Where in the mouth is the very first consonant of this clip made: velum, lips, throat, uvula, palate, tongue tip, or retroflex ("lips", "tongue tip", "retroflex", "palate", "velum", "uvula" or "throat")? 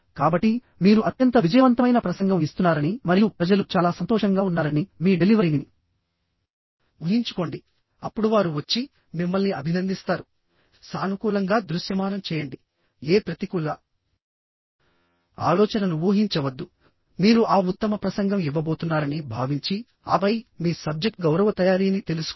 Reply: velum